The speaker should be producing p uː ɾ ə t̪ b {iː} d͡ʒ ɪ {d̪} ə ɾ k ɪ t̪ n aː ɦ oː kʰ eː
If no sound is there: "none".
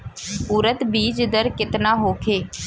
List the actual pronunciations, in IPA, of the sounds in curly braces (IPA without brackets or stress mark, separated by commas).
iː, d̪